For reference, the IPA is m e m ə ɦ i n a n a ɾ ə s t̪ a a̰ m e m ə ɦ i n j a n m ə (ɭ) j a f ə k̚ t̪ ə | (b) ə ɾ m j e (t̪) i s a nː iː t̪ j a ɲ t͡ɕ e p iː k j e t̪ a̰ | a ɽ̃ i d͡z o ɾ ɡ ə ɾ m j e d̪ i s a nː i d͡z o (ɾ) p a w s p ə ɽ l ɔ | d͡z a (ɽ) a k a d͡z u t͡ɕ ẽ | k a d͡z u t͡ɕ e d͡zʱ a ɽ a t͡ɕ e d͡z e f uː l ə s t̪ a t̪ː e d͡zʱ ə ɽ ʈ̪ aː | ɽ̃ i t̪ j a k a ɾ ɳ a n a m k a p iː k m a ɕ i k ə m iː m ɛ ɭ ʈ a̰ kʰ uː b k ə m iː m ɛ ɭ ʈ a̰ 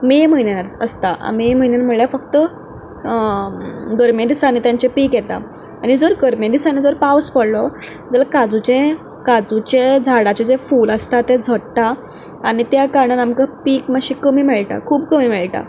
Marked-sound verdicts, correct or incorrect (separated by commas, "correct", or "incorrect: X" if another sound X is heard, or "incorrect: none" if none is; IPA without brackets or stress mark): correct, incorrect: ɡ, incorrect: d̪, correct, incorrect: l